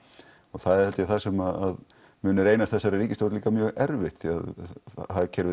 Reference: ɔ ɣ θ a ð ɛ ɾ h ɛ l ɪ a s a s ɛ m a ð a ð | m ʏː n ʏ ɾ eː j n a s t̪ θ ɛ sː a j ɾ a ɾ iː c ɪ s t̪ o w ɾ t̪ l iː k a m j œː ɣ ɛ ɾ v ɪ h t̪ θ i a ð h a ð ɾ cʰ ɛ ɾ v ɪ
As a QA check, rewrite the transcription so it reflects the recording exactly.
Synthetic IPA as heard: ɔ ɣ θ a ð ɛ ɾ h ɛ l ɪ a θ a s ɛ m a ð a ð | m ʏː n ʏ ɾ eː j n a s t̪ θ ɛ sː a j ɾ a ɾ iː c ɪ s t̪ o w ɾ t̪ l iː k a m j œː ɣ ɛ ɾ v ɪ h t̪ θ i a ð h a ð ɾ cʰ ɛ ɾ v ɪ